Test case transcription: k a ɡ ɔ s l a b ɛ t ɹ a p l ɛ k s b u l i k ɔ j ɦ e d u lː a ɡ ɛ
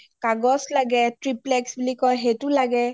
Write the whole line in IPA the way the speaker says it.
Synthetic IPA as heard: k a ɡ ɔ s l a ɡ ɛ t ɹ i p l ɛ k s b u l i k ɔ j ɦ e t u l a ɡ ɛ